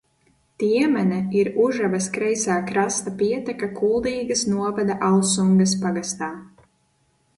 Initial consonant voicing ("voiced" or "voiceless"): voiceless